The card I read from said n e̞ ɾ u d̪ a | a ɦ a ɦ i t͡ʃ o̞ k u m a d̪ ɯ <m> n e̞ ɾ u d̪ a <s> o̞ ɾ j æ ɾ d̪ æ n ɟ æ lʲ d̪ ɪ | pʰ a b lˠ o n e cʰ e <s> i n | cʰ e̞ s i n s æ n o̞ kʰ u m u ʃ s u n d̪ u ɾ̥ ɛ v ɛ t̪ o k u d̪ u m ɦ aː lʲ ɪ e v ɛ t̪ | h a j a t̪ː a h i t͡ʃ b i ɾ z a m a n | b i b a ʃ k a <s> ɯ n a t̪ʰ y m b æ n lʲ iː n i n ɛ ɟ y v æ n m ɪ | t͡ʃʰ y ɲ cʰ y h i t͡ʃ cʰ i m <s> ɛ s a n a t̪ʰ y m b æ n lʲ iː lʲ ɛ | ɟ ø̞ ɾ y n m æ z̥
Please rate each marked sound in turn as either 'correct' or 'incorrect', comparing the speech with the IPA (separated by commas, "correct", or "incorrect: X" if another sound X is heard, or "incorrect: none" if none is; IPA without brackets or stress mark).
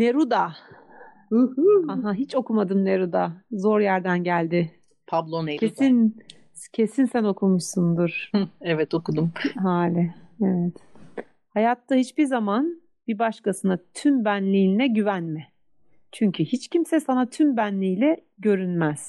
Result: correct, incorrect: z, correct, correct, correct